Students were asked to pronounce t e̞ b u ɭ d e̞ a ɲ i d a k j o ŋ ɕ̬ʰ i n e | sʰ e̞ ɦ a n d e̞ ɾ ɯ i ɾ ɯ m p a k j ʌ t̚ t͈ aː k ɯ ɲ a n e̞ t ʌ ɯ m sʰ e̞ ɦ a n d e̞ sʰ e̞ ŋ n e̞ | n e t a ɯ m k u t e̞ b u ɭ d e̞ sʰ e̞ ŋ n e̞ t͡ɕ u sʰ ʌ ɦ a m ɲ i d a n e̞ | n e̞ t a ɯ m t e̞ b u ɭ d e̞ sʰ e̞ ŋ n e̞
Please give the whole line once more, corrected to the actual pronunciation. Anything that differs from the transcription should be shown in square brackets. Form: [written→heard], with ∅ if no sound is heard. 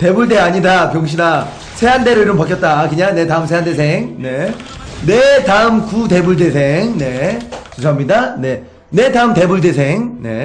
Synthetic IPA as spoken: t e̞ b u ɭ d e̞ a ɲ i d a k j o ŋ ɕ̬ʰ i n [e→a] | sʰ e̞ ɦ a n d e̞ ɾ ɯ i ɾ ɯ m p a k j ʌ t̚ t͈ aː k ɯ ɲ a n e̞ t [ʌ→a] ɯ m sʰ e̞ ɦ a n d e̞ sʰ e̞ ŋ n e̞ | n e t a ɯ m k u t e̞ b u ɭ d e̞ sʰ e̞ ŋ n e̞ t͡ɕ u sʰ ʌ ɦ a m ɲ i d a n e̞ | n e̞ t a ɯ m t e̞ b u ɭ d e̞ sʰ e̞ ŋ n e̞